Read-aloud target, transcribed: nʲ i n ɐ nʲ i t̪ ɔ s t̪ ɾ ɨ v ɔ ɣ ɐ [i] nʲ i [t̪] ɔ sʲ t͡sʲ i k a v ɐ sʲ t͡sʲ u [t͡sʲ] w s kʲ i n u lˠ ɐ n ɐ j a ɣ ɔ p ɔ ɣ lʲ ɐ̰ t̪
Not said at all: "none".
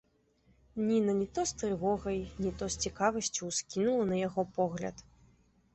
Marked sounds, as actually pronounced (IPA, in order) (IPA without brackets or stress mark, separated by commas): j, t̪, none